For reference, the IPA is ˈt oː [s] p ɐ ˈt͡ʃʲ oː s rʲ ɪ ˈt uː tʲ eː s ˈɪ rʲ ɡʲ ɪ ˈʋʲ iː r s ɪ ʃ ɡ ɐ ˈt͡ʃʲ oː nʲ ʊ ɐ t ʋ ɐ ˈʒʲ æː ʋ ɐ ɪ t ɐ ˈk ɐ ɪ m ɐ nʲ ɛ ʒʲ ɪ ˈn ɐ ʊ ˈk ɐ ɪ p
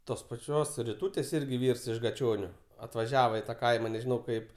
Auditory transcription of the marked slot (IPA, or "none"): s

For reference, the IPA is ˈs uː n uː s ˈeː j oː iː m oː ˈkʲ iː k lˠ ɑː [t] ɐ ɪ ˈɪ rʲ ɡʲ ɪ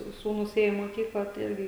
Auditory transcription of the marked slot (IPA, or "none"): t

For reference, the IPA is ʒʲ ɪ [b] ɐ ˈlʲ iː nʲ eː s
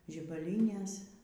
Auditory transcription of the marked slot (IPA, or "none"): b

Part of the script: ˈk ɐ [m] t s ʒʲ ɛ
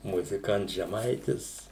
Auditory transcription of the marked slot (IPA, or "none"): n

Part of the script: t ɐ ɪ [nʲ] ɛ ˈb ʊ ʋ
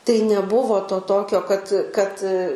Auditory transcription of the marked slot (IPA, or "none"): nʲ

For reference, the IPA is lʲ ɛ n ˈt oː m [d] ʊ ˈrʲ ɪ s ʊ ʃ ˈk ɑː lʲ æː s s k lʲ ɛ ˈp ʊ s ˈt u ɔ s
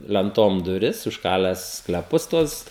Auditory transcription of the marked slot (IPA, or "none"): d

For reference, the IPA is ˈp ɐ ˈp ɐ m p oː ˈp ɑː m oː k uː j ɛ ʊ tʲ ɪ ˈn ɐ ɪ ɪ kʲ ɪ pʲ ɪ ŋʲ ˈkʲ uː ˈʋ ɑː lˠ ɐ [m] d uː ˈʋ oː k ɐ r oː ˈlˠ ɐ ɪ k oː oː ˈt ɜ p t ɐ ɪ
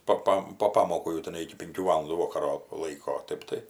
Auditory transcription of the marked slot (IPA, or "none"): n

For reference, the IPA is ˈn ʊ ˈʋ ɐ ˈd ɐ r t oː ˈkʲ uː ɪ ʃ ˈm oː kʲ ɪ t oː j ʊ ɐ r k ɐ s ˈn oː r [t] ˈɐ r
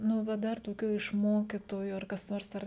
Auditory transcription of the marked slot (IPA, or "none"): s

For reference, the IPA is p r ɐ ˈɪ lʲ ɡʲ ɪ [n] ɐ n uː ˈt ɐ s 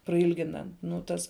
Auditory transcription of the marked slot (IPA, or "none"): n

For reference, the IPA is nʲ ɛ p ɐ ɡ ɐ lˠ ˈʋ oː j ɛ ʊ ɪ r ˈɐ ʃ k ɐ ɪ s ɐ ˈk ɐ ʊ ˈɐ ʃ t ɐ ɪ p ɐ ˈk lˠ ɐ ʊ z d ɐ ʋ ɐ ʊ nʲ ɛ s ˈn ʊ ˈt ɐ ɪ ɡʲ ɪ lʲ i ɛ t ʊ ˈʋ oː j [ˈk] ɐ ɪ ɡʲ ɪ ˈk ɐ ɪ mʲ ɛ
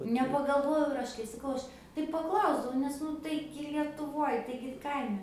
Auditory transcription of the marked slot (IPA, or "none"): t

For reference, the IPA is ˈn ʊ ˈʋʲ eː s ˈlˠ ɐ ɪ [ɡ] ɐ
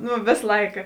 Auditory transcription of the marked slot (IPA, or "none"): k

